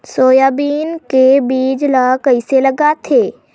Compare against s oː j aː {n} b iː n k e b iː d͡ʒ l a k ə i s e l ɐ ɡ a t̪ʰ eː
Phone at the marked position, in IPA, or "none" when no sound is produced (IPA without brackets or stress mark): none